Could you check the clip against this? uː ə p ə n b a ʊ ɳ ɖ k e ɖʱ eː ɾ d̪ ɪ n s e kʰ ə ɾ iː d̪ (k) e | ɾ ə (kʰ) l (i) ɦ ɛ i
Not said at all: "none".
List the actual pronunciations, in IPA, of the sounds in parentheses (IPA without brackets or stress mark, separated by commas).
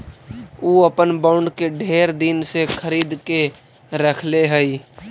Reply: k, kʰ, e